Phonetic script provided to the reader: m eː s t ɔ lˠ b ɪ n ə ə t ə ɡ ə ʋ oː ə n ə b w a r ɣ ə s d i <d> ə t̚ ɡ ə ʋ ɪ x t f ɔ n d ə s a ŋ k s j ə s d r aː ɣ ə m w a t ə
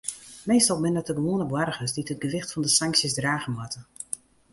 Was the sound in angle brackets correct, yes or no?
no